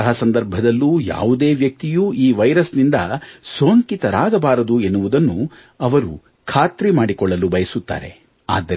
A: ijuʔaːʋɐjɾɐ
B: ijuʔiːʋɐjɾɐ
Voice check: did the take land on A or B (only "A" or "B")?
B